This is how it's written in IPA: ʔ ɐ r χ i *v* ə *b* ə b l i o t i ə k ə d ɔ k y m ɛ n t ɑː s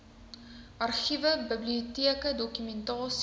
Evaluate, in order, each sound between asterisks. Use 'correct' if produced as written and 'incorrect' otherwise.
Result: correct, correct

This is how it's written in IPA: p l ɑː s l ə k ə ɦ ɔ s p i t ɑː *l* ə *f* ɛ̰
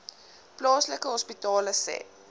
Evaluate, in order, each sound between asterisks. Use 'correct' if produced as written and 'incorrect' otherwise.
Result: correct, incorrect: s

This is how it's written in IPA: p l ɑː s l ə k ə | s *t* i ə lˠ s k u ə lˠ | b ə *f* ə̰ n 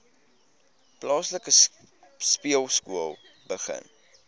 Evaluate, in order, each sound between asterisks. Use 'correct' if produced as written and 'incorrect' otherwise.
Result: incorrect: p, incorrect: χ

